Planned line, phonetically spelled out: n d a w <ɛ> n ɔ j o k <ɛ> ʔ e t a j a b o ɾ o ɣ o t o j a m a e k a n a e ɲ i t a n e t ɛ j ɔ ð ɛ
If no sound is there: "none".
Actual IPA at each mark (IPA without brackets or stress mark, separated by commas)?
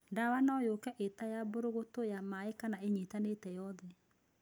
a, ɛ